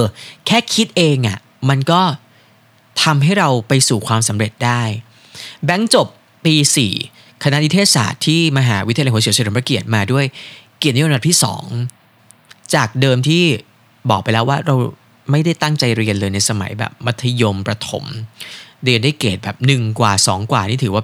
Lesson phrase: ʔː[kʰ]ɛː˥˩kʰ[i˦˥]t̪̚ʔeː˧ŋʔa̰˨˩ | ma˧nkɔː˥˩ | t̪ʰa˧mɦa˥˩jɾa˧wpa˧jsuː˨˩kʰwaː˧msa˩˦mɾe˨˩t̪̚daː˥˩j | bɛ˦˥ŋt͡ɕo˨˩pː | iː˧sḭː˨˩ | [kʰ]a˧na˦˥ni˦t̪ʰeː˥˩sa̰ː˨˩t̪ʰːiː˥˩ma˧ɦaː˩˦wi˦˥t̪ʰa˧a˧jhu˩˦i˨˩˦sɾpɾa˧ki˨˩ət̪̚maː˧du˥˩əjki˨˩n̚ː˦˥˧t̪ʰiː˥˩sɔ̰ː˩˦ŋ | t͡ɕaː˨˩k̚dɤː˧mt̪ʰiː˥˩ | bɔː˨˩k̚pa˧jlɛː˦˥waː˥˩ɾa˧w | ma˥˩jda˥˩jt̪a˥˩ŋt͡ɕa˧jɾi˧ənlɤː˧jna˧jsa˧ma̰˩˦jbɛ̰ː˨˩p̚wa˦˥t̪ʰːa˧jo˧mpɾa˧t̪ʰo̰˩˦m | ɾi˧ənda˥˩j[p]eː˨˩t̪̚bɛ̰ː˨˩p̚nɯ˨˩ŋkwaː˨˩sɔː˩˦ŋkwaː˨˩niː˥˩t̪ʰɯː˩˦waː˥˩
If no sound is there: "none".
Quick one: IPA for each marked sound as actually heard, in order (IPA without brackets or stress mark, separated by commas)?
kʰ, i˦˥, kʰ, k